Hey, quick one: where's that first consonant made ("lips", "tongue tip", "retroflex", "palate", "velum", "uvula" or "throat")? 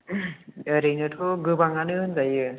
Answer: tongue tip